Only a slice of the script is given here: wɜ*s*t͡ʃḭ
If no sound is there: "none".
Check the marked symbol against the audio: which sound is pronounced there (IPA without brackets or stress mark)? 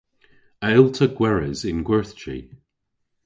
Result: θ